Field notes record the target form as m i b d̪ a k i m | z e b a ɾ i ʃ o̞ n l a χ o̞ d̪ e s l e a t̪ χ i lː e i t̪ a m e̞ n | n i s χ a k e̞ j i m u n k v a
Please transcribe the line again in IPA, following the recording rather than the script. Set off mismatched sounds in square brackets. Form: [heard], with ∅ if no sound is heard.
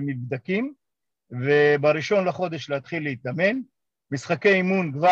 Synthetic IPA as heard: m i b d̪ a k i m | [v] e b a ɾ i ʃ o̞ n l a χ o̞ d̪ e [ʃ] l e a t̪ χ i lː e i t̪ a m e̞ n | [m] i s χ a k e̞ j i m u n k v a